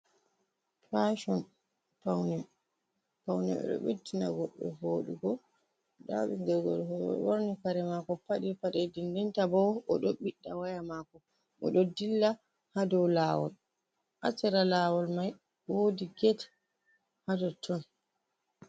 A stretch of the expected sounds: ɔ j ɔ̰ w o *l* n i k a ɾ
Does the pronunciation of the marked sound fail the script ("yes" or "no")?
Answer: yes